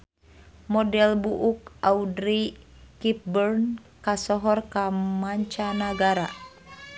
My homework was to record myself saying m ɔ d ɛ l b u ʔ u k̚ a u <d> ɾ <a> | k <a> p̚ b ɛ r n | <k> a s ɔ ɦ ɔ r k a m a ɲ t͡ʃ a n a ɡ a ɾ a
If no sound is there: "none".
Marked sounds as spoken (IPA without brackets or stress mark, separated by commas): d, i, i, k